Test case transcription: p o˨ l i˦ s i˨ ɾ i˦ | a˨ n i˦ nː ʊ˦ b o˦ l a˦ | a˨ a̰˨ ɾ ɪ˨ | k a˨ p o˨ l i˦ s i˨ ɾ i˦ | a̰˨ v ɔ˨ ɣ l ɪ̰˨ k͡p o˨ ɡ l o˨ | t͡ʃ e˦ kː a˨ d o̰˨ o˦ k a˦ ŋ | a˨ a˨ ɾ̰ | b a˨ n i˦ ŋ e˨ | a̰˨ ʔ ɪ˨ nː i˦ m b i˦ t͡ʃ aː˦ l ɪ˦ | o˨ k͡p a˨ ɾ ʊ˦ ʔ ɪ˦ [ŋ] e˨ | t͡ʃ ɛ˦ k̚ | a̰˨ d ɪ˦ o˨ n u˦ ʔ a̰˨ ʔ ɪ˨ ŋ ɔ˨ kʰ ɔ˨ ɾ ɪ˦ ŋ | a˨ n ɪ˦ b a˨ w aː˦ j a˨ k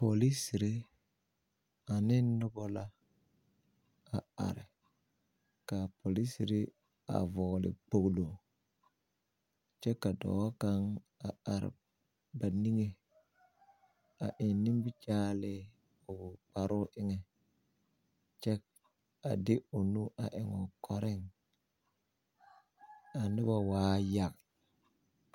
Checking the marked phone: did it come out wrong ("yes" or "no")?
no